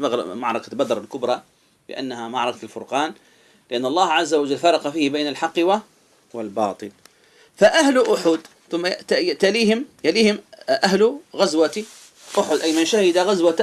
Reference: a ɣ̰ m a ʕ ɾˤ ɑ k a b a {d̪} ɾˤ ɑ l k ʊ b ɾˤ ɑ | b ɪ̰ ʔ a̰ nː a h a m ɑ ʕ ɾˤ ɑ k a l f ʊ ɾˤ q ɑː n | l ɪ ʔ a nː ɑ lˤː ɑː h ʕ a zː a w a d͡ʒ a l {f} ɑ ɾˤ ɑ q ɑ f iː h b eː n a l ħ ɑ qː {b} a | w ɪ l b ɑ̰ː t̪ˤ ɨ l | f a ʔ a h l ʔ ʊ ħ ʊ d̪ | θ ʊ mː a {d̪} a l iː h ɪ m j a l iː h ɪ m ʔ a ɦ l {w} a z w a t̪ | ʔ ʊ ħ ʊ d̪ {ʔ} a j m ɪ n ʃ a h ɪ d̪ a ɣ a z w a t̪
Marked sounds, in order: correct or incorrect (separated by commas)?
correct, correct, incorrect, incorrect, incorrect, correct